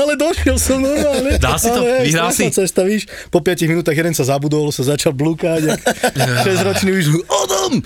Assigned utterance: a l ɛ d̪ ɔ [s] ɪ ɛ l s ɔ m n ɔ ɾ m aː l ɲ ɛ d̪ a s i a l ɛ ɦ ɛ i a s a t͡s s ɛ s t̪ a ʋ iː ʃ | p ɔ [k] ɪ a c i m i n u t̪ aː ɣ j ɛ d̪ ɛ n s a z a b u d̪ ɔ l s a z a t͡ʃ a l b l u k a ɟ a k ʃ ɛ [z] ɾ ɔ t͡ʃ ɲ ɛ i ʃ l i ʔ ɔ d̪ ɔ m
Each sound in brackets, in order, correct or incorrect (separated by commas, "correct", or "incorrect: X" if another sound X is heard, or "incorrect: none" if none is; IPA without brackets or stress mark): incorrect: ʃ, incorrect: p, correct